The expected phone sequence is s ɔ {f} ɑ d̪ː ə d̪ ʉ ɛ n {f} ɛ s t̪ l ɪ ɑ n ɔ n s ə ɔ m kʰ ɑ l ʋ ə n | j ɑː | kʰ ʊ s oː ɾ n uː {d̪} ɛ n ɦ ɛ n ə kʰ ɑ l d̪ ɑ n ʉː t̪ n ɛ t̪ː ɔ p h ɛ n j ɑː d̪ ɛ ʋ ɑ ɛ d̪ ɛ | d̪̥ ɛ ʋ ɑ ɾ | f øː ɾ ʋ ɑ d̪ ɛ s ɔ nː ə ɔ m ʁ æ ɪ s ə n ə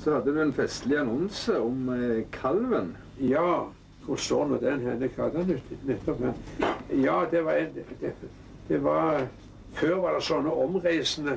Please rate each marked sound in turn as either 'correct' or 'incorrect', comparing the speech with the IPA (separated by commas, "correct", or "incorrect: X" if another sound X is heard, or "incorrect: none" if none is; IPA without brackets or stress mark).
incorrect: h, correct, correct